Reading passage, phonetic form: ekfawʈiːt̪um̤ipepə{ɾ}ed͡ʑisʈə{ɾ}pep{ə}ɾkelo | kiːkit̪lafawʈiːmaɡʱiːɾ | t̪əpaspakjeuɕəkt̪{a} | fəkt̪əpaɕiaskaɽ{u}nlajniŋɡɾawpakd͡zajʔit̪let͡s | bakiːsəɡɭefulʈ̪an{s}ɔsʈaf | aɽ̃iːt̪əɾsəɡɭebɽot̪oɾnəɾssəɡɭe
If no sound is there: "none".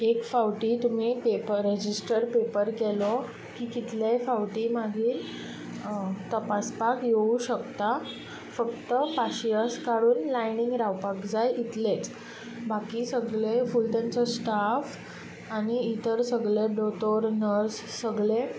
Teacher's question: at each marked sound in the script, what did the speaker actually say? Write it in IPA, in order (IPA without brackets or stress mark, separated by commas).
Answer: ɾ, ɾ, ə, a, uː, t͡s